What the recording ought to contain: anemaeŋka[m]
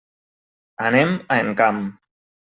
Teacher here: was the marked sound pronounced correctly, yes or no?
yes